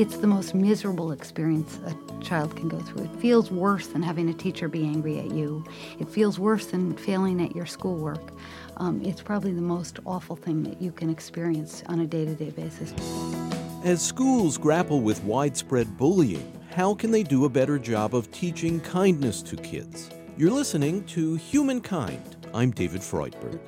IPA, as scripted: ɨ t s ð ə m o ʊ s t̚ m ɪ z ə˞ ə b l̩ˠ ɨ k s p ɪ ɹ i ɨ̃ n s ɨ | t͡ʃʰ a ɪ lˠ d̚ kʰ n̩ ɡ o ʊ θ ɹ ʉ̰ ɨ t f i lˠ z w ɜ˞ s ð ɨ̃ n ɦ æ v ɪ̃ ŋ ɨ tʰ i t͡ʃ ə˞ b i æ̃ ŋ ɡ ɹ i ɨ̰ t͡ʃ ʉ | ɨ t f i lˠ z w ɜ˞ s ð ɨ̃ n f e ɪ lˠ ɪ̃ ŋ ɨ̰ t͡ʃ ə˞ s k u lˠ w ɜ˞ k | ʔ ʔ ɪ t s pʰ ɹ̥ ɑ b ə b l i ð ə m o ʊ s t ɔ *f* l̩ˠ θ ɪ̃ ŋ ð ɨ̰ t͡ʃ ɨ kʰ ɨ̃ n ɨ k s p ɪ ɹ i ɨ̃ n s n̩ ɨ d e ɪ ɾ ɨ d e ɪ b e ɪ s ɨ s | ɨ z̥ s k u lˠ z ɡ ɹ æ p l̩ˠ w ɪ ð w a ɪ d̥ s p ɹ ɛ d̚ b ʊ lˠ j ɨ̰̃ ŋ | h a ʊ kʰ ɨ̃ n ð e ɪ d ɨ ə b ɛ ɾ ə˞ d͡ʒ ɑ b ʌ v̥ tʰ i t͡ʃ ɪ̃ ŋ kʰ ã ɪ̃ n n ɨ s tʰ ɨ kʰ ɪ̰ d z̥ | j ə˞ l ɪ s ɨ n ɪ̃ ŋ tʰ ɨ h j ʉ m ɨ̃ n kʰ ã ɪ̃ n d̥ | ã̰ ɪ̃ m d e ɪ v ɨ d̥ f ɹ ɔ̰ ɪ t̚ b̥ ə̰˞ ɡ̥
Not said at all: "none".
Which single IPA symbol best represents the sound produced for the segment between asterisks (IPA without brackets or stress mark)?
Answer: f